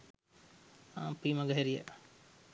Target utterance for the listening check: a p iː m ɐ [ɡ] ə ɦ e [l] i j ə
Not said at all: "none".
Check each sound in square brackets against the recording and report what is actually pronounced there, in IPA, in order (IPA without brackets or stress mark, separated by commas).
ɡ, ɾ